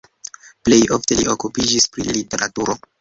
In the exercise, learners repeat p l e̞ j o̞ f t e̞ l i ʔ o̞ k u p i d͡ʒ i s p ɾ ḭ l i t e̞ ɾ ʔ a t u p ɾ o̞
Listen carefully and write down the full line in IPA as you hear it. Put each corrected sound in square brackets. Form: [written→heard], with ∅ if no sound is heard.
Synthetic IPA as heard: p l e̞ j o̞ f t e̞ l i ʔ o̞ k u p i d͡ʒ i s p ɾ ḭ l i t e̞ ɾ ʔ a t u [p→∅] ɾ o̞